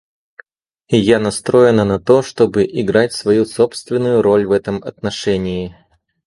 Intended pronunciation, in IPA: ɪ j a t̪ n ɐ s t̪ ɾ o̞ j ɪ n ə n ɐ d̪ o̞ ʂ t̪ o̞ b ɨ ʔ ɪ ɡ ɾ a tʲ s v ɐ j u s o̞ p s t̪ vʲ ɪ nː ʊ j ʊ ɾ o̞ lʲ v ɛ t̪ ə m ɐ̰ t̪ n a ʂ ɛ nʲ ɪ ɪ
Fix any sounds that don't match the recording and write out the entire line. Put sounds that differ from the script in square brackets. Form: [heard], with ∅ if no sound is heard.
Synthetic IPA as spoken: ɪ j a [∅] n ɐ s t̪ ɾ o̞ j ɪ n ə n ɐ [t̪] o̞ ʂ t̪ o̞ b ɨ ʔ ɪ ɡ ɾ a tʲ s v ɐ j u s o̞ p s t̪ vʲ ɪ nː ʊ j ʊ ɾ o̞ lʲ v ɛ t̪ ə m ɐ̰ t̪ n [ɐ] ʂ ɛ nʲ ɪ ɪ